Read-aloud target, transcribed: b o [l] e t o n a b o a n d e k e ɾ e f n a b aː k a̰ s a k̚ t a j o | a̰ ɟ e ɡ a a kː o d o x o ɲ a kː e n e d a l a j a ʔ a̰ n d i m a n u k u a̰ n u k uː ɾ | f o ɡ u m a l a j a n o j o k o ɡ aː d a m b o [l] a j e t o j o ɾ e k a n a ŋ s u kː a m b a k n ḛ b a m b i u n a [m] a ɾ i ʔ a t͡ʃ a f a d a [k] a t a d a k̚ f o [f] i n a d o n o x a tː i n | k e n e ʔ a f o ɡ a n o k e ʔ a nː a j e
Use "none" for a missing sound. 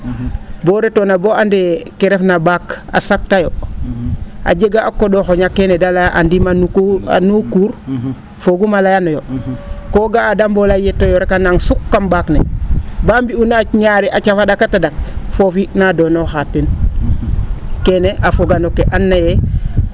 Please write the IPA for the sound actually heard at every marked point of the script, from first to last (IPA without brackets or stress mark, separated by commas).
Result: ɾ, l, ɲ, k, f